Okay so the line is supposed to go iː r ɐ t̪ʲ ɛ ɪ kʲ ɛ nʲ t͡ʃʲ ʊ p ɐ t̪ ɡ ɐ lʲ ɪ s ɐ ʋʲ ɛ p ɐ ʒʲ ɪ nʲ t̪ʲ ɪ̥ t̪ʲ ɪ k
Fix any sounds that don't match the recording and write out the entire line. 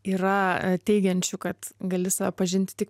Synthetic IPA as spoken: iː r ɐ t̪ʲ ɛ ɪ ɡʲ ɛ nʲ t͡ʃʲ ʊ k ɐ t̪ ɡ ɐ lʲ ɪ s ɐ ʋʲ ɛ p ɐ ʒʲ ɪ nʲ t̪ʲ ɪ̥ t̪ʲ ɪ k

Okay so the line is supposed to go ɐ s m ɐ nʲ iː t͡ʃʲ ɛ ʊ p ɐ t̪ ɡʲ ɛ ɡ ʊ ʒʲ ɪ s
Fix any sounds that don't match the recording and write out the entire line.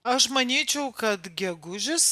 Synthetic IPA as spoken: ɐ ʃ m ɐ nʲ iː t͡ʃʲ ɛ ʊ k ɐ t̪ ɡʲ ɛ ɡ ʊ ʒʲ ɪ s

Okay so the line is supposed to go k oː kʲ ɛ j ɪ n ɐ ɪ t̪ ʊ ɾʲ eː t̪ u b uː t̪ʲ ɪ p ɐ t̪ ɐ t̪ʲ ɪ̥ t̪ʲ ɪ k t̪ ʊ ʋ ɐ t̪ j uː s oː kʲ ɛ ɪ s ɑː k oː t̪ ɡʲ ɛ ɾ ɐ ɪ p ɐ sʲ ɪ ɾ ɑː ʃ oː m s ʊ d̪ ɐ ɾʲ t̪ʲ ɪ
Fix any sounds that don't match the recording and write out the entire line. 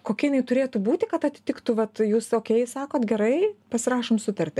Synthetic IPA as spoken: k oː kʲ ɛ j ɪ n ɐ ɪ t̪ ʊ ɾʲ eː t̪ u b uː t̪ʲ ɪ k ɐ t̪ ɐ t̪ʲ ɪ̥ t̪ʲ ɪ k t̪ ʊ ʋ ɐ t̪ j uː s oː kʲ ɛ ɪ s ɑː k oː t̪ ɡʲ ɛ ɾ ɐ ɪ p ɐ sʲ ɪ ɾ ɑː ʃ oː m s ʊ t̪ ɐ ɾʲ t̪ʲ ɪ

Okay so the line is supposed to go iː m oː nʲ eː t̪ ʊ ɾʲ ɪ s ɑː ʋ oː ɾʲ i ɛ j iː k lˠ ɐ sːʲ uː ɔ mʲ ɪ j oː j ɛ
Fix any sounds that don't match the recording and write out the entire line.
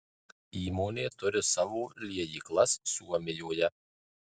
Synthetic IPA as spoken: iː m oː nʲ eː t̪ ʊ ɾʲ ɪ s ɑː ʋ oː lʲ i ɛ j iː k lˠ ɐ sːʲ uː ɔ mʲ ɪ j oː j ɛ

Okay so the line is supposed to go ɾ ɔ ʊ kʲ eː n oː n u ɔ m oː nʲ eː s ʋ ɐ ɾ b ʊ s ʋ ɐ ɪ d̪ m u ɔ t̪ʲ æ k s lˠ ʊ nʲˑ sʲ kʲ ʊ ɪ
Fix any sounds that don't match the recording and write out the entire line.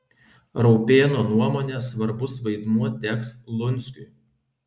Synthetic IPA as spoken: ɾ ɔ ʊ pʲ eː n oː n u ɔ m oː nʲ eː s ʋ ɐ ɾ b ʊ s ʋ ɐ ɪ d̪ m u ɔ t̪ʲ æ k s lˠ ʊ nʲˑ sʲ kʲ ʊ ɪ

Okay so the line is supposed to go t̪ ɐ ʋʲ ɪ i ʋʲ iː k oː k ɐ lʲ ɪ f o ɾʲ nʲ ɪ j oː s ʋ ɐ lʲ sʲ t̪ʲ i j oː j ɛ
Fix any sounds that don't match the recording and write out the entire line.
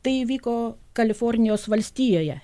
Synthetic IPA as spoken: t̪ ɐ ɪ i ʋʲ iː k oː k ɐ lʲ ɪ f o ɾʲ nʲ ɪ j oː s ʋ ɐ lʲ sʲ t̪ʲ iː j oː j ɛ

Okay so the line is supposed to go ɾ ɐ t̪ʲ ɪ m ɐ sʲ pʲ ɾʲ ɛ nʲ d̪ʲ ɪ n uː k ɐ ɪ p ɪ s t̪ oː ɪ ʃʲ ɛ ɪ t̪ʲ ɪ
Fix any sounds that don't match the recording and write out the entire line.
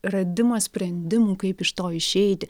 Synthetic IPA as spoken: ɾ ɐ d̪ʲ ɪ m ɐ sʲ pʲ ɾʲ ɛ nʲ d̪ʲ ɪ m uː k ɐ ɪ p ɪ ʃ t̪ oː ɪ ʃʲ ɛ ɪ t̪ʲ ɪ

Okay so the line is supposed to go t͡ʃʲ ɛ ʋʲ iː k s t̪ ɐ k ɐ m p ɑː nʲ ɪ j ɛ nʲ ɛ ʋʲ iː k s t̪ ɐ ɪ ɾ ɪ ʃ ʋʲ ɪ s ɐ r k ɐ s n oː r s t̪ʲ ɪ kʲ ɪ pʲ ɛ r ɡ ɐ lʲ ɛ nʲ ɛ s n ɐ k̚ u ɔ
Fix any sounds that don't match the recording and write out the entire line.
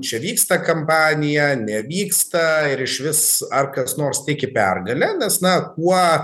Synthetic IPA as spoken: t͡ʃʲ ɛ ʋʲ iː k s t̪ ɐ k ɐ m p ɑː nʲ ɪ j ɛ nʲ ɛ ʋʲ iː k s t̪ ɐ ɪ ɾ ɪ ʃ ʋʲ ɪ s ɐ r k ɐ s n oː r s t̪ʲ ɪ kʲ ɪ pʲ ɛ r ɡ ɐ lʲ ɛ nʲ ɛ s n ɐ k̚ u ɔ

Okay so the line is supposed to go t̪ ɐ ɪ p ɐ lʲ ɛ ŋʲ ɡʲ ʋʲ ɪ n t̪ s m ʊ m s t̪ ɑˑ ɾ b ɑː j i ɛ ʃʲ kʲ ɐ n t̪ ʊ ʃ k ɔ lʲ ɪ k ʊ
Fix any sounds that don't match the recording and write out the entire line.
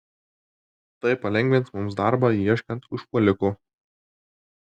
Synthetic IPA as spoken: t̪ ɐ ɪ p ɐ lʲ ɛ ŋʲ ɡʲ ʋʲ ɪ n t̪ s m ʊ m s d̪ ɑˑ ɾ b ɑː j i ɛ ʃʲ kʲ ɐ n t̪ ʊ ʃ p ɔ lʲ ɪ k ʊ

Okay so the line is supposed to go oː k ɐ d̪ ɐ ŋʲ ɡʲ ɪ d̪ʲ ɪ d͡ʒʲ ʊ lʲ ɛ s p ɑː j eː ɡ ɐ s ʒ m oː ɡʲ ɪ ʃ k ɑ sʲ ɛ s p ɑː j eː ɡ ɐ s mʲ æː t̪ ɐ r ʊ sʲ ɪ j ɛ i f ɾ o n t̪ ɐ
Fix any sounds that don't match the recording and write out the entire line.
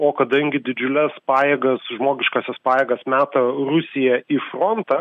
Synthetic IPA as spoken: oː k ɐ d̪ ɐ ŋʲ ɡʲ ɪ d̪ʲ ɪ d͡ʒʲ ʊ lʲ ɛ s p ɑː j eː ɡ ɐ s ʒ m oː ɡʲ ɪ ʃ k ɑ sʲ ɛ s p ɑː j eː ɡ ɐ s mʲ æː t̪ ɐ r ʊ sʲ ɪ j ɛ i f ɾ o n t̪ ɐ

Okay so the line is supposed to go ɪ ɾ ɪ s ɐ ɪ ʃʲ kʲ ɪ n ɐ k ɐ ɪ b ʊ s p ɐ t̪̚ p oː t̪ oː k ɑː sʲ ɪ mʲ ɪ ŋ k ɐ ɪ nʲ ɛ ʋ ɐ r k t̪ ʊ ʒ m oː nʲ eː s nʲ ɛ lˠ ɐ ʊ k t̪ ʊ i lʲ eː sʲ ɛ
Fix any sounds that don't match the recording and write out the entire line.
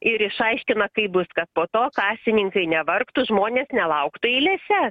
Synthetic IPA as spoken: ɪ ɾ ɪ ʃ ɐ ɪ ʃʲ kʲ ɪ n ɐ k ɐ ɪ b ʊ s k ɐ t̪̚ p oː t̪ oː k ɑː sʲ ɪ nʲ ɪ ŋ k ɐ ɪ nʲ ɛ ʋ ɐ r k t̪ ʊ ʒ m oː nʲ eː s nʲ ɛ lˠ ɐ ʊ k t̪ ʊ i lʲ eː sʲ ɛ

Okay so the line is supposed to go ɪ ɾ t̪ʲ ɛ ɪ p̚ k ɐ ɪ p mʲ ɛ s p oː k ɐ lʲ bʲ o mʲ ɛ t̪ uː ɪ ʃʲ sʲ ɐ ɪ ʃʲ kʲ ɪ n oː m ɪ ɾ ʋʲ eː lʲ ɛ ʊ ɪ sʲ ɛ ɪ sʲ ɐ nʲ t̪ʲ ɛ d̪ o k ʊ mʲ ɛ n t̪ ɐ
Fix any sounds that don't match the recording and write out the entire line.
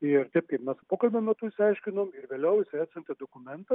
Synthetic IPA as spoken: ɪ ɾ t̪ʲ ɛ ɪ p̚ k ɐ ɪ p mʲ ɛ s p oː k ɐ lʲ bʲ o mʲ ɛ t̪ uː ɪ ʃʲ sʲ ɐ ɪ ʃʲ kʲ ɪ n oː m ɪ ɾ ʋʲ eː lʲ ɛ ʊ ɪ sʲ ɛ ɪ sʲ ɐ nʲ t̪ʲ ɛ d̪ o k ʊ mʲ ɛ n t̪ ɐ

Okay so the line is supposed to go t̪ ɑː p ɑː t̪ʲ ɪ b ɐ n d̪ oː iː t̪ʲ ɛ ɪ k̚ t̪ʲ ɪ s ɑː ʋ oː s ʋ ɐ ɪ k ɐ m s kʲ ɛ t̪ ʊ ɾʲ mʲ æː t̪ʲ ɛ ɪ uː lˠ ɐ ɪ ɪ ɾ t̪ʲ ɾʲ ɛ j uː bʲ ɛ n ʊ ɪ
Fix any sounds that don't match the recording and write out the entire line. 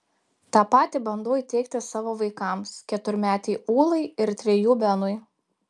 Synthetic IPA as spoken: t̪ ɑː p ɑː t̪ʲ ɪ b ɐ n d̪ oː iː t̪ʲ ɛ ɪ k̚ t̪ʲ ɪ s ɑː ʋ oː ʋ ɐ ɪ k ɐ m s kʲ ɛ t̪ ʊ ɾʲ mʲ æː t̪ʲ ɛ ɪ uː lˠ ɐ ɪ ɪ ɾ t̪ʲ ɾʲ ɛ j uː bʲ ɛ n ʊ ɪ

